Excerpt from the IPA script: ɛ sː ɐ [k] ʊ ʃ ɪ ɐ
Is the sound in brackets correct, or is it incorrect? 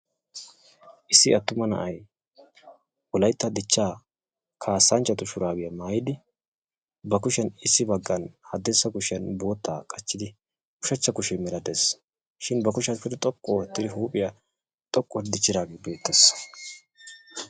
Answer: correct